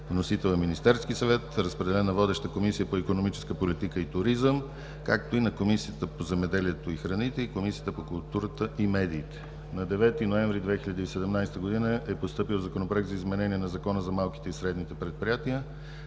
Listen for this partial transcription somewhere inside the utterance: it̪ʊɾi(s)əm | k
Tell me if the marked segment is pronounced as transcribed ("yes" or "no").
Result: no